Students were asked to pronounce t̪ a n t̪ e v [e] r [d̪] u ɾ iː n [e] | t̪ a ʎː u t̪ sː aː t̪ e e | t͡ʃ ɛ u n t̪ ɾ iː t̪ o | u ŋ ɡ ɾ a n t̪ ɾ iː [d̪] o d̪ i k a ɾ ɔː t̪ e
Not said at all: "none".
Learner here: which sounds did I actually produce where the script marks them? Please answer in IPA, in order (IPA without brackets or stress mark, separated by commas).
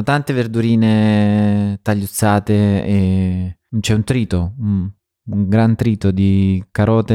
e, d̪, e, t̪